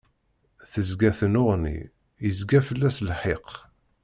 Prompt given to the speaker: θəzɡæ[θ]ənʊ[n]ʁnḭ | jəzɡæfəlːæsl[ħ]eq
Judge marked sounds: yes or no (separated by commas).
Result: yes, no, yes